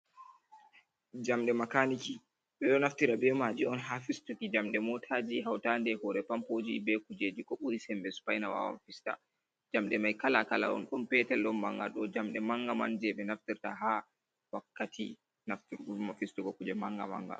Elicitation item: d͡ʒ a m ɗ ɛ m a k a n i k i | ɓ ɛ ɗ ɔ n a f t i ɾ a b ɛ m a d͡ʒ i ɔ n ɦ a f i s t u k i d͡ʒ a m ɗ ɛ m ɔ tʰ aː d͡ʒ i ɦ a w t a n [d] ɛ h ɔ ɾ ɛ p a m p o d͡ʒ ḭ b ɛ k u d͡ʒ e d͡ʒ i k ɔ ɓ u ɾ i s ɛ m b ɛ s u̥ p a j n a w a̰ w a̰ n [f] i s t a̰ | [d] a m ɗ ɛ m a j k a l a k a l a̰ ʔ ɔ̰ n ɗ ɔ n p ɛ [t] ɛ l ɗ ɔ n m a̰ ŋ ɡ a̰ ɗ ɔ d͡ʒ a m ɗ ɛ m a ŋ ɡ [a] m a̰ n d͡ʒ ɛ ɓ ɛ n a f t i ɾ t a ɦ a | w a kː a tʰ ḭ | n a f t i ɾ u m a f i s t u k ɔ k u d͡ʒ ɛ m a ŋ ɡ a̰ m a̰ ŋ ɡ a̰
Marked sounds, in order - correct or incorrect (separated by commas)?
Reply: correct, correct, incorrect, correct, correct